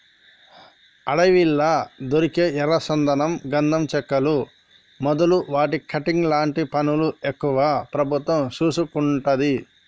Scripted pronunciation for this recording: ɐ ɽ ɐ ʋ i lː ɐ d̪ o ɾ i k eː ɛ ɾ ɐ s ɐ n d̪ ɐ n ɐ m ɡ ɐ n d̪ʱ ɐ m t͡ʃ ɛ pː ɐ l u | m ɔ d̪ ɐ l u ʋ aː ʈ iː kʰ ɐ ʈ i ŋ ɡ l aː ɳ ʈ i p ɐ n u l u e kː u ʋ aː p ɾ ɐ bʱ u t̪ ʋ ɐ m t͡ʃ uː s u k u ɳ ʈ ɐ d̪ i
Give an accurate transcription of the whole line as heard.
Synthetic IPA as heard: ɐ ɽ ɐ ʋ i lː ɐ d̪ o ɾ i k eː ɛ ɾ ɐ s ɐ n d̪ ɐ n ɐ m ɡ ɐ n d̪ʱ ɐ m t͡ʃ ɛ kː ɐ l u | m ɔ d̪ ɐ l u ʋ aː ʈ i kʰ ɐ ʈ i ŋ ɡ l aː ɳ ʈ i p ɐ n u l u e kː u ʋ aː p ɾ ɐ bʱ u t̪ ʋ ɐ m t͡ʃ uː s u k u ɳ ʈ ɐ d̪ i